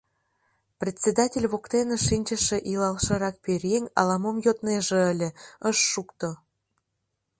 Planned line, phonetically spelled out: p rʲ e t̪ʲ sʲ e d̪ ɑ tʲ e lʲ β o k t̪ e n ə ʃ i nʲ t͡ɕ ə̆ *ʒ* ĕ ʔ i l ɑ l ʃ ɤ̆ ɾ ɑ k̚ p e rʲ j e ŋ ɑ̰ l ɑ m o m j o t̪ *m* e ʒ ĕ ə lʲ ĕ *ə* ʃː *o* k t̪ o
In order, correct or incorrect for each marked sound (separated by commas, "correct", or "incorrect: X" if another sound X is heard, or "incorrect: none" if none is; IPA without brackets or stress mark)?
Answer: incorrect: ʃ, incorrect: n, correct, incorrect: u